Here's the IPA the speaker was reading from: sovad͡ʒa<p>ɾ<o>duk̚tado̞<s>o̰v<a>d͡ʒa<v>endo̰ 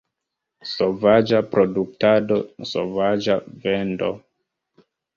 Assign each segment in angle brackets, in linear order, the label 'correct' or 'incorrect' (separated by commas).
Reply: correct, correct, correct, correct, correct